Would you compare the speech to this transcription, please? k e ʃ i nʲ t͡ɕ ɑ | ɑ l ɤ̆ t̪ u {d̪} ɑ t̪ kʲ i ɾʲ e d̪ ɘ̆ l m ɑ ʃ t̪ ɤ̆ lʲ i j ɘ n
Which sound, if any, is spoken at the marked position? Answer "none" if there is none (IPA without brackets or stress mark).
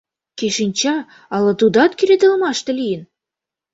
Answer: d̪